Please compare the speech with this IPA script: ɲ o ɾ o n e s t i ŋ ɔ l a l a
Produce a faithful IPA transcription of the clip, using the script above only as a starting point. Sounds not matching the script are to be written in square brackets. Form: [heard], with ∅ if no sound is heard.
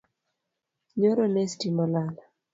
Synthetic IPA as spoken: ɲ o ɾ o n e s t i [m] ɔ l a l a